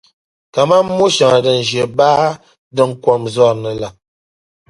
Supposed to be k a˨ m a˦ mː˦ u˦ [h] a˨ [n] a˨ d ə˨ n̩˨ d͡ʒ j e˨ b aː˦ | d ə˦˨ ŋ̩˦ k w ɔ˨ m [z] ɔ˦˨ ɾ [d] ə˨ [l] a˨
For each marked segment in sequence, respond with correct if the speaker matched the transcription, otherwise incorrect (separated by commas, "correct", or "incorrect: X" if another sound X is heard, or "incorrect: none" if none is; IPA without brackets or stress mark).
incorrect: ʃ, incorrect: ŋ, correct, incorrect: n, correct